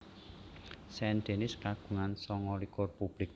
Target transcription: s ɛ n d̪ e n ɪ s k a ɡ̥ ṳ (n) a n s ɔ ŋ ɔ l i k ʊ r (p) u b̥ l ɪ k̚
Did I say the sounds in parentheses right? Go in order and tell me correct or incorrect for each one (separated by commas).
incorrect, correct